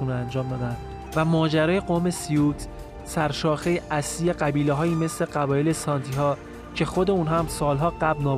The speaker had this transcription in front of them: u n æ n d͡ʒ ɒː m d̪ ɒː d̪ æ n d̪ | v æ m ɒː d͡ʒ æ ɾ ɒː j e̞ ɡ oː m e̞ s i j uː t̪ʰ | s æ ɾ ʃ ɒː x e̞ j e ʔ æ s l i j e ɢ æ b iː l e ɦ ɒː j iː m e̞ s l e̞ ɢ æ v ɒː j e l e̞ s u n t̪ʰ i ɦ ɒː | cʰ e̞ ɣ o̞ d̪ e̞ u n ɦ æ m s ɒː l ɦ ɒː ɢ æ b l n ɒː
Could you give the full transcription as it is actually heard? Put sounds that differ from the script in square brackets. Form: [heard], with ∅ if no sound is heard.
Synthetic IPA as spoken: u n æ n d͡ʒ ɒː m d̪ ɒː d̪ æ n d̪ | v æ m ɒː d͡ʒ æ ɾ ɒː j e̞ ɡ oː m e̞ s i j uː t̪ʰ | s æ ɾ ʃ ɒː x e̞ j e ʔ æ s l i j e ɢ æ b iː l e ɦ ɒː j iː m e̞ s l e̞ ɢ æ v ɒː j e l e̞ s [ɒ] n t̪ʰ i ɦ ɒː | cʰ e̞ [x] o̞ d̪ e̞ u n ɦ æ m s ɒː l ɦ ɒː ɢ æ b l n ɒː